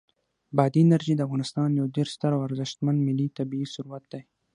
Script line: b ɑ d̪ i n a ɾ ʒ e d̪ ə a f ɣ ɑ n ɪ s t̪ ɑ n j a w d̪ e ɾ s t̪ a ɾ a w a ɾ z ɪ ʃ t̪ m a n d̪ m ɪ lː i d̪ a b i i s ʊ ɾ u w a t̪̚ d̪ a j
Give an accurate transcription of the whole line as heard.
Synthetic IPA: b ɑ d̪ i n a ɾ ʒ i d̪ ə a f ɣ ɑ n ɪ s t̪ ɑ n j a w d̪ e ɾ s t̪ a ɾ a w a ɾ z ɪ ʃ t̪ m a n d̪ m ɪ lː i t̪ a b i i s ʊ ɾ u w a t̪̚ d̪ a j